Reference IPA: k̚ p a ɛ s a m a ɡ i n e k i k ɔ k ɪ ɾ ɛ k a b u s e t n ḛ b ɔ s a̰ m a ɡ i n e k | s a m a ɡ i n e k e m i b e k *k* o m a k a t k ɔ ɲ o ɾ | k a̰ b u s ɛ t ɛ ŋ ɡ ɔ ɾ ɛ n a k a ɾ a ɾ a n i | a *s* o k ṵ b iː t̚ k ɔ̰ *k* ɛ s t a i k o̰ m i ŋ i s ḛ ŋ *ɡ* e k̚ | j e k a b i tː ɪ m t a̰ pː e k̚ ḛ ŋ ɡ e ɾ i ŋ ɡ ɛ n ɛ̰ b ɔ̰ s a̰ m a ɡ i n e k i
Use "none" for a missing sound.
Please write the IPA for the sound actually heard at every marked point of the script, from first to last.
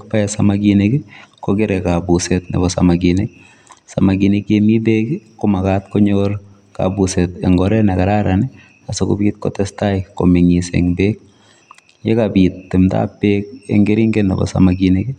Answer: k, s, t, b

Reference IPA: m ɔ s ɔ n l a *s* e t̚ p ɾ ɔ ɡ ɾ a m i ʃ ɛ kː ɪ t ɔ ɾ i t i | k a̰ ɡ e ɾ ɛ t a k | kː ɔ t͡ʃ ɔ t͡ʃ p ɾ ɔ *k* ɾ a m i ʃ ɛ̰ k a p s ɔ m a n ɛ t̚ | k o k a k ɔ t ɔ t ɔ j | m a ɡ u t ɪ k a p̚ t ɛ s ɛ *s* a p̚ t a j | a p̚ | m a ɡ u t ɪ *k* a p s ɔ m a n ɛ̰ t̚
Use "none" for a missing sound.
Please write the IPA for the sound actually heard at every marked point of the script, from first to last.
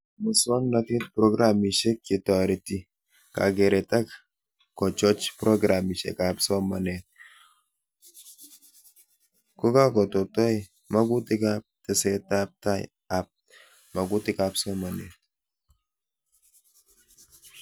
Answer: t, ɡ, t, k

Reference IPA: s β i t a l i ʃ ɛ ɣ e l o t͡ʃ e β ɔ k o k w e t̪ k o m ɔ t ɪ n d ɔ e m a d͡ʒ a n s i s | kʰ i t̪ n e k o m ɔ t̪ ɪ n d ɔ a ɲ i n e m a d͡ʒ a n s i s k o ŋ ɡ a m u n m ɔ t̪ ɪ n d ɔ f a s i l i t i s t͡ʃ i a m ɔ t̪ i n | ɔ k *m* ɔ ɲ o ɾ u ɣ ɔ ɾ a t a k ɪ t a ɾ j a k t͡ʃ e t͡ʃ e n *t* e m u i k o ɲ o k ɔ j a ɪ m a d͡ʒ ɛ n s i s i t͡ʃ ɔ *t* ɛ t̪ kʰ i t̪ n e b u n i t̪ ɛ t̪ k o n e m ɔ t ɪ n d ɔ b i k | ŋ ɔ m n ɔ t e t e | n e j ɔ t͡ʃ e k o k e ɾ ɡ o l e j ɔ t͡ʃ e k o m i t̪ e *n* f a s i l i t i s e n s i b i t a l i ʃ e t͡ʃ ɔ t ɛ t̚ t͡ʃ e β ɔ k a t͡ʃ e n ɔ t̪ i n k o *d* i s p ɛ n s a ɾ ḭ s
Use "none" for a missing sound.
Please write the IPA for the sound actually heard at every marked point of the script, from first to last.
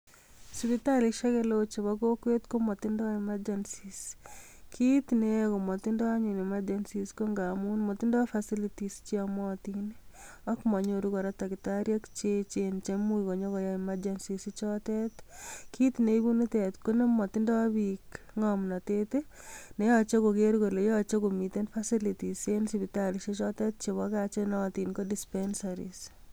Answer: m, t͡ʃ, t, n, d

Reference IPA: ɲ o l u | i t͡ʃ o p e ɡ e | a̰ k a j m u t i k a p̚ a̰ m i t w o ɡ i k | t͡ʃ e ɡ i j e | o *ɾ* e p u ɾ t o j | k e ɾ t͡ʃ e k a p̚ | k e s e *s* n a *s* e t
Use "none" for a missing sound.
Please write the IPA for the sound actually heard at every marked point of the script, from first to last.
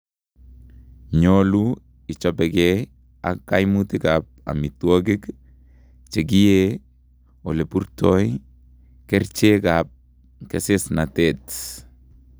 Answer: l, s, t

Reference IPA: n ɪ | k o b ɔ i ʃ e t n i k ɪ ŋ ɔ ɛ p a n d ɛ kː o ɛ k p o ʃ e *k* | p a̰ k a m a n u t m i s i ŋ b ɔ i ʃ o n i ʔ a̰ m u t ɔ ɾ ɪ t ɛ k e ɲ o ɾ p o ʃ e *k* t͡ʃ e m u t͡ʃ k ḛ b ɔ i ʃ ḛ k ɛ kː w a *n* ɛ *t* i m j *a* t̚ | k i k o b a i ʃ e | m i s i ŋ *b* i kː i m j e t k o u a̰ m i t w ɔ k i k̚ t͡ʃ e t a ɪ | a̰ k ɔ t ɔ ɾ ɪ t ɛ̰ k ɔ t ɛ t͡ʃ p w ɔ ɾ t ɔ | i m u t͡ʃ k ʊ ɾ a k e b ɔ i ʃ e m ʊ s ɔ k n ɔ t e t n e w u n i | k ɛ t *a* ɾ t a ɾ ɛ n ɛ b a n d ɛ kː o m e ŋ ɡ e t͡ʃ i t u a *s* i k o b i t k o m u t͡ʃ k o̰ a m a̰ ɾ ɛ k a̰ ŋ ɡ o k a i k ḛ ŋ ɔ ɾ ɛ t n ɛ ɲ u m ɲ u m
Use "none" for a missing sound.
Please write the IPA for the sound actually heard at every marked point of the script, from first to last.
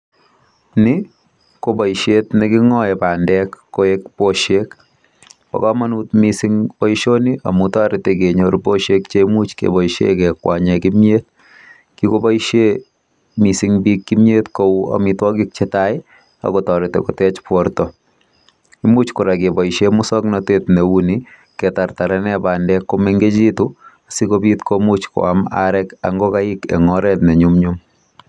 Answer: k, k, ɲ, k, e, b, a, s

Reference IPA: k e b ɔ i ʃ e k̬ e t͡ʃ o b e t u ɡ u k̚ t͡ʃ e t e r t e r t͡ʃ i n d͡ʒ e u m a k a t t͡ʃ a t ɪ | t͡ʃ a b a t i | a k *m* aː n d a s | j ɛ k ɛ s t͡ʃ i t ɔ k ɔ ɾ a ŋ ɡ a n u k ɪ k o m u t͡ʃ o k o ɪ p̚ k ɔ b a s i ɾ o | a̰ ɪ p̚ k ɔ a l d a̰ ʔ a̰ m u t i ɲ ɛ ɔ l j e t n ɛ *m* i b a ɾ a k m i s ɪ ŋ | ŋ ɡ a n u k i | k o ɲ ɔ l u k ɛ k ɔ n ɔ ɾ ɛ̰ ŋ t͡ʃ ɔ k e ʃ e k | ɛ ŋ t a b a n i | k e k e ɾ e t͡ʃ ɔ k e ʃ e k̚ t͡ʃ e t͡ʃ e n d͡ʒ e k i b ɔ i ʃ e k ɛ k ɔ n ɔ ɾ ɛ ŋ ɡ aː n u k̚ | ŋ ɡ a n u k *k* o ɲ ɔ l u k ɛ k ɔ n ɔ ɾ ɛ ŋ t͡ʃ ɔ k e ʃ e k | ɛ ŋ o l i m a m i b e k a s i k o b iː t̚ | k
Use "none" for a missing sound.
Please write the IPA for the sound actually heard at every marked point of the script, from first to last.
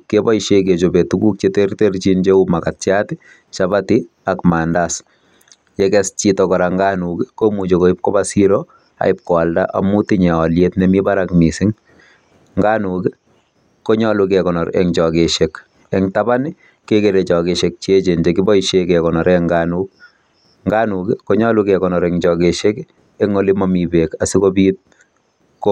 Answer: m, m, k

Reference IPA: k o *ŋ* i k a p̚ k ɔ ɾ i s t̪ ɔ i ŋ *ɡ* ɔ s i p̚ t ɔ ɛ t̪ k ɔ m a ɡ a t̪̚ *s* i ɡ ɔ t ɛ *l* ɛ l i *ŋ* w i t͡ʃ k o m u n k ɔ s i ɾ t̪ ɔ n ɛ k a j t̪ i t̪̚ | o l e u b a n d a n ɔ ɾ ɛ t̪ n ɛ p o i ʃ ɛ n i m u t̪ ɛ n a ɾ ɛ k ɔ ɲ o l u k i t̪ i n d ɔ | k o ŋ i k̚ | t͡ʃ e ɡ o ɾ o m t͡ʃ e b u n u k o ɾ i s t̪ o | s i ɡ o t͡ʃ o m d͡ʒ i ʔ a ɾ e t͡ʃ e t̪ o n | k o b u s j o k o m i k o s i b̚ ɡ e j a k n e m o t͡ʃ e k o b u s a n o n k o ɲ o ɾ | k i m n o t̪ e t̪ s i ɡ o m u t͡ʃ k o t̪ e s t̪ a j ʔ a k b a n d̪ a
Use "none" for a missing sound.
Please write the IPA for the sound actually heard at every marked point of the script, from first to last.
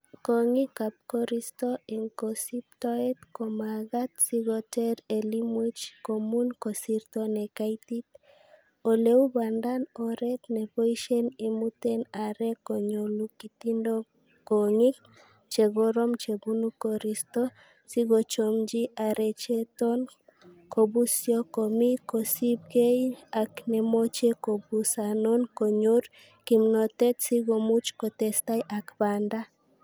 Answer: ŋ, k, s, ɾ, m

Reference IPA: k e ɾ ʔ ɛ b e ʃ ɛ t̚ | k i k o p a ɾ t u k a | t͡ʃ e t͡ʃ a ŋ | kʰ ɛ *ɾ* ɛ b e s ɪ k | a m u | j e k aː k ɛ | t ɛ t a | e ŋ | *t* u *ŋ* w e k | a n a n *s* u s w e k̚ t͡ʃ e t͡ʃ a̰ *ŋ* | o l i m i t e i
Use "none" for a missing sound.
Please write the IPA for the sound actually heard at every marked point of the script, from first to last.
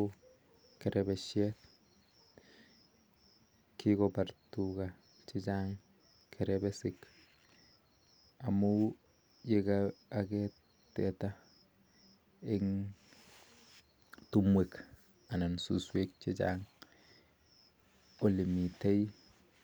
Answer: ɾ, t, m, s, ŋ

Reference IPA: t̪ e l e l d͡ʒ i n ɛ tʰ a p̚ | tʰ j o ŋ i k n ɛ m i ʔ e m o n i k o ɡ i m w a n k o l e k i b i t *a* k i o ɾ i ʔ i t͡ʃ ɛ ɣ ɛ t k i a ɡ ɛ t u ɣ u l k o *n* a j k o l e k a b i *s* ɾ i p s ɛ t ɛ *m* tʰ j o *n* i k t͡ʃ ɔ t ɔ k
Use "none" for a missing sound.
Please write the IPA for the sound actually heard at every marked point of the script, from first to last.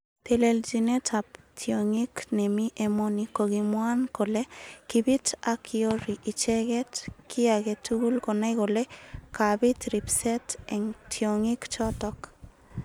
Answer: a, n, t, ŋ, ŋ

